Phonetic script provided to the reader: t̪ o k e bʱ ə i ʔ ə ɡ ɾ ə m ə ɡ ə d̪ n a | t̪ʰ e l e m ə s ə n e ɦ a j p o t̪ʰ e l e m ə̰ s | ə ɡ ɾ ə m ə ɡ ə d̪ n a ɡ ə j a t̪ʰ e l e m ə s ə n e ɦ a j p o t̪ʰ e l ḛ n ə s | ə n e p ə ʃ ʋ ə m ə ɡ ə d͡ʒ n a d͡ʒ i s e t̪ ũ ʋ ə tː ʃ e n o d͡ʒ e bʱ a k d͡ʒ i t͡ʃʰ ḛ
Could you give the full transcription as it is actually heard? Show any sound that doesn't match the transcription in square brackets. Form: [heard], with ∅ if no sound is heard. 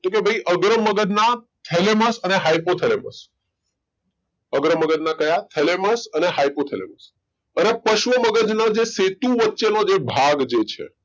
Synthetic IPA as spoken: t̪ o k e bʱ ə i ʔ ə ɡ ɾ ə m ə ɡ ə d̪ n a | t̪ʰ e l e m ə s ə n e ɦ a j p o t̪ʰ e l e m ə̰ s | ə ɡ ɾ ə m ə ɡ ə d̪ n a [k] ə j a t̪ʰ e l e m ə s ə n e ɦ a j p o t̪ʰ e l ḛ [m] ə s | ə n e p ə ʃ ʋ ə m ə ɡ ə d͡ʒ n a d͡ʒ [e] s e t̪ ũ ʋ ə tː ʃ e n o d͡ʒ e bʱ a [ɡ] d͡ʒ [e] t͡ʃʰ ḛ